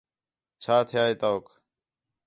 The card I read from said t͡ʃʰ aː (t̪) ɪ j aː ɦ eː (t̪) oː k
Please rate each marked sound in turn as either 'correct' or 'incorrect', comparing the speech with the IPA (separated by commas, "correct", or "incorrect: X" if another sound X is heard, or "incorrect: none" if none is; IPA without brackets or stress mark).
incorrect: t̪ʰ, correct